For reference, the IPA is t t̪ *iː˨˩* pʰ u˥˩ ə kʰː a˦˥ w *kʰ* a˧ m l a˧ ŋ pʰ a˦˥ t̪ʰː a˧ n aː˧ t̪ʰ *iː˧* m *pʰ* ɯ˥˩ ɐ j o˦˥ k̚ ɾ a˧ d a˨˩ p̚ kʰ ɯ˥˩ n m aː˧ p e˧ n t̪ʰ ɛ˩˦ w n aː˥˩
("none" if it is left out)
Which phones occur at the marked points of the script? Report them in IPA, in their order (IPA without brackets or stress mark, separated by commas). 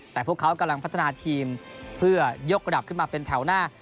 ɛː˨˩, k, iː˧, pʰ